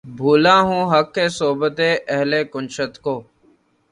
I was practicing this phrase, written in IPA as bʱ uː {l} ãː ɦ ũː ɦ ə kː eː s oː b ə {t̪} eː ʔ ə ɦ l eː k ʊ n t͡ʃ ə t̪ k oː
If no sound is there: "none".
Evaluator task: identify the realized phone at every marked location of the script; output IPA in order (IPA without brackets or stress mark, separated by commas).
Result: l, t̪